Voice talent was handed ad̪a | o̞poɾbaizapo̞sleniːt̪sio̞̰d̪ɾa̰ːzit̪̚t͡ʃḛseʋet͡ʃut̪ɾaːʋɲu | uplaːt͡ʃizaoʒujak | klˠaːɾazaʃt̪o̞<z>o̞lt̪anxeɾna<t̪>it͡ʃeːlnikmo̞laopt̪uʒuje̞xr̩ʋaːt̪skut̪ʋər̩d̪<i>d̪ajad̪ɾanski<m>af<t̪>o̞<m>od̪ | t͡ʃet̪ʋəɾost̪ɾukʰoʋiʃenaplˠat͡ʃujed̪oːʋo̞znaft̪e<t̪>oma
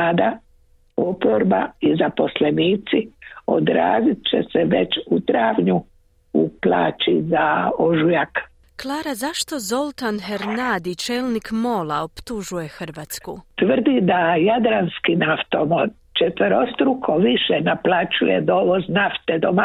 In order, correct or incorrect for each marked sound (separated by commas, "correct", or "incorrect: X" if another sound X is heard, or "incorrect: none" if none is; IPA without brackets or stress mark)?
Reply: correct, incorrect: d̪, correct, incorrect: n, correct, correct, incorrect: d̪